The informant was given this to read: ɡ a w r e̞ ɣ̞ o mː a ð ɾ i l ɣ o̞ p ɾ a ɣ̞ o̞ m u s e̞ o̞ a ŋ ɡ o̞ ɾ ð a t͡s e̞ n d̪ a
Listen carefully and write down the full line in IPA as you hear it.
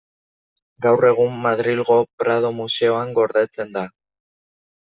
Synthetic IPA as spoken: ɡ a w r e̞ ɣ̞ u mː a ð ɾ i l ɣ o̞ p ɾ a ð̞ o̞ m u s e̞ o̞ a ŋ ɡ o̞ ɾ ð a t͡s e̞ n d̪ a